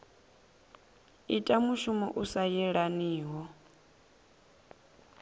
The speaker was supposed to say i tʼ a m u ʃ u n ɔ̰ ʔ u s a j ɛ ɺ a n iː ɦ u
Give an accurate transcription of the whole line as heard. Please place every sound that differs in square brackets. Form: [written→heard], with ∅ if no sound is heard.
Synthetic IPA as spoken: i tʼ a m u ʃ u [n→m] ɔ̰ ʔ u s a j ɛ ɺ a n iː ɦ [u→ɔ]